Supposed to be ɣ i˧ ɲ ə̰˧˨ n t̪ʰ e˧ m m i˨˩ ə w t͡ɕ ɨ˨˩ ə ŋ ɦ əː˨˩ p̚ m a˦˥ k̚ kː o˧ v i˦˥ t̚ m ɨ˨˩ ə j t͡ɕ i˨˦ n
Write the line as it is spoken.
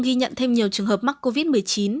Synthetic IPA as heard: ɣ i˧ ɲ ə̰˧˨ n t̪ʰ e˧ m ɲ i˨˩ ə w t͡ɕ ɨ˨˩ ə ŋ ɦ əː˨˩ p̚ m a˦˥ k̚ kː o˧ v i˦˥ t̚ m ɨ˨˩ ə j t͡ɕ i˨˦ n